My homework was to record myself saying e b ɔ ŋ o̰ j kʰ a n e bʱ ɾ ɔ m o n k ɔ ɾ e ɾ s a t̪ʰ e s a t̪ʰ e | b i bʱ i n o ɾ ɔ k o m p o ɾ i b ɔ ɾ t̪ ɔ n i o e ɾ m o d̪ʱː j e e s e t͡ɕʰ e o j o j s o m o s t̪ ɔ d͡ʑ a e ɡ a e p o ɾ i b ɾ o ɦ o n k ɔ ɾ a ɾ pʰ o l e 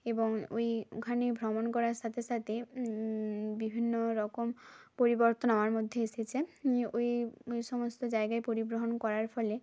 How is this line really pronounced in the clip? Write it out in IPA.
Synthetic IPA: e b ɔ ŋ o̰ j kʰ a n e bʱ ɾ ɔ m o n k ɔ ɾ a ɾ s a t̪ʰ e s a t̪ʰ e | b i bʱ i nː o ɾ ɔ k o m p o ɾ i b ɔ ɾ t̪ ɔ n a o a ɾ m o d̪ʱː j e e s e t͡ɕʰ e o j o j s ɔ m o s t̪ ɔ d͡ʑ a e ɡ a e p o ɾ i b ɾ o ɦ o n k ɔ ɾ a ɾ pʰ ɔ l e

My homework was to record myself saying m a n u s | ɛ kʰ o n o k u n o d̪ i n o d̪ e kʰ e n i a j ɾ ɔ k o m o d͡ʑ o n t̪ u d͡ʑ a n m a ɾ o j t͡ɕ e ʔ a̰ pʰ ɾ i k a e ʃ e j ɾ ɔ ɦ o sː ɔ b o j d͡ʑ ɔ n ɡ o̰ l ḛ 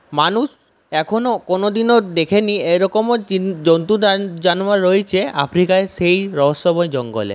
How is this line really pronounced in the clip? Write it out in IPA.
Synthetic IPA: m a n u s | ɛ kʰ o n o k o n o d̪ i n o d̪ e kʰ e n i e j ɾ ɔ k o m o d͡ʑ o n t̪ u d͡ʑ a n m a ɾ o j t͡ɕʰ e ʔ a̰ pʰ ɾ i k a e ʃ e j ɾ ɔ ɦ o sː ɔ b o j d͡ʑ ɔ ŋ ɡ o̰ l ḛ

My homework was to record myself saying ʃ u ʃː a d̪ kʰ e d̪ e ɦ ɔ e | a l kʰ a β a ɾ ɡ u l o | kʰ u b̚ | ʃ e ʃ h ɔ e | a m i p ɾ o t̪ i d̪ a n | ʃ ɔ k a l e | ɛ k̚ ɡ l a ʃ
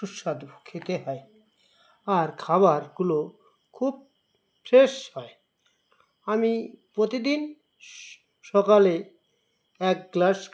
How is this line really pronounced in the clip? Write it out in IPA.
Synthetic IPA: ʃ u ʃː a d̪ kʰ e t̪ e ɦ ɔ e | a ɾ kʰ a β a ɾ ɡ u l o | kʰ u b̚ | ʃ e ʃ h ɔ e | a m i p ɾ o t̪ i d̪ i n | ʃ ɔ k a l e | ɛ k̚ ɡ l a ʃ

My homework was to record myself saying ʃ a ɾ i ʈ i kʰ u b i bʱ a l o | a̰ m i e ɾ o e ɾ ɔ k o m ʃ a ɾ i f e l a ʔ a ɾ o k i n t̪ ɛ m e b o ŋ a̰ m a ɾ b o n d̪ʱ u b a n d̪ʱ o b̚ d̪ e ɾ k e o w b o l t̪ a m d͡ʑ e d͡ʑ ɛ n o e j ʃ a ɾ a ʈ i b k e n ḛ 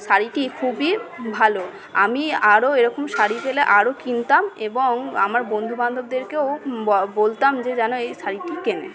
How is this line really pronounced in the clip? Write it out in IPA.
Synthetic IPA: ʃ a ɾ i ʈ i kʰ u b i bʱ a l o | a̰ m i a ɾ o e ɾ ɔ k o m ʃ a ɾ i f e l e ʔ a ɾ o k i n t̪ a m e b o ŋ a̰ m a ɾ b o n d̪ʱ u b a n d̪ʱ o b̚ d̪ e ɾ k e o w b o l t̪ a m d͡ʑ e d͡ʑ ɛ n o e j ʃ a ɾ i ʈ i k e n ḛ

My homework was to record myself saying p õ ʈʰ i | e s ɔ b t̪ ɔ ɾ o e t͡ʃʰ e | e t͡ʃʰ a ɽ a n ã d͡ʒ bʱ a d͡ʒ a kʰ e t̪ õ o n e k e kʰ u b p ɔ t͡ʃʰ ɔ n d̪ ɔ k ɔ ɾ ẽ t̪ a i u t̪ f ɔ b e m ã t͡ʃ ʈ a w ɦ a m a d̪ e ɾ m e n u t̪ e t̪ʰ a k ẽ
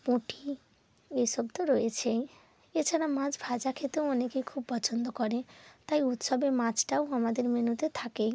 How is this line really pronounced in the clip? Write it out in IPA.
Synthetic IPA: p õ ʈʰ i | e s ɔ b t̪ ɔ ɾ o e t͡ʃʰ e | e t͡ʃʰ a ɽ a m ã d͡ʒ bʱ a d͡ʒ a kʰ e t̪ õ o n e k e kʰ u b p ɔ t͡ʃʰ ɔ n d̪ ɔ k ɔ ɾ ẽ t̪ a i u t̪ s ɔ b e m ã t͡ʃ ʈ a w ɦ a m a d̪ e ɾ m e n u t̪ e t̪ʰ a k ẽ

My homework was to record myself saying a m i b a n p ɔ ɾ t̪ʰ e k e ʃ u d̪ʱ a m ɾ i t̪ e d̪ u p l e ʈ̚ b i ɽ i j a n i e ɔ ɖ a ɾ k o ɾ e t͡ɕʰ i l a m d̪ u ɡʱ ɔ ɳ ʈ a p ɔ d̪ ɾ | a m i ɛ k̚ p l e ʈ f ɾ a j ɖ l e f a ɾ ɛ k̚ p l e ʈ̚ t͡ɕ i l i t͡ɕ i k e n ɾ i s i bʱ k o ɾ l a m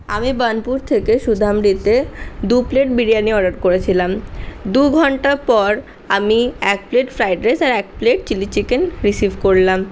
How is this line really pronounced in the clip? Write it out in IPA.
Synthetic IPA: a m i b a n p u ɾ t̪ʰ e k e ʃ u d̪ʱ a m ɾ i t̪ e d̪ u p l e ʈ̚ b i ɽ i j a n i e ɔ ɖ a ɾ k o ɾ e t͡ɕʰ i l a m d̪ u ɡʱ ɔ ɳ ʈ a p ɔ ɾ | a m i ɛ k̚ p l e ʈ f ɾ a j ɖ ɾ e s a ɾ ɛ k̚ p l e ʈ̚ t͡ɕ i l i t͡ɕ i k e n ɾ i s i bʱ k o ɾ l a m

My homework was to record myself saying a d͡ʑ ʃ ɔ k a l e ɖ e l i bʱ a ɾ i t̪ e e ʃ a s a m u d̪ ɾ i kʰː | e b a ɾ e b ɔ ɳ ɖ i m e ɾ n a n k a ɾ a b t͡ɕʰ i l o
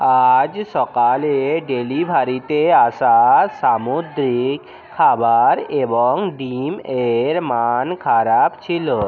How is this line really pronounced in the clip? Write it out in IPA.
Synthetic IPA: a d͡ʑ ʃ ɔ k a l e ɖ e l i bʱ a ɾ i t̪ e a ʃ a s a m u d̪ ɾ i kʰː | a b a ɾ e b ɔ ŋ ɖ i m e ɾ m a n kʰ a ɾ a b t͡ɕʰ i l o

